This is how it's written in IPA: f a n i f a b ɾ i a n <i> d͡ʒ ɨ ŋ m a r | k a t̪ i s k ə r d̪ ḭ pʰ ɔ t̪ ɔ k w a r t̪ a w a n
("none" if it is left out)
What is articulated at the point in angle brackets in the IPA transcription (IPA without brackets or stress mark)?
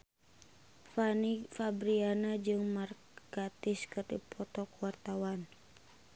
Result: a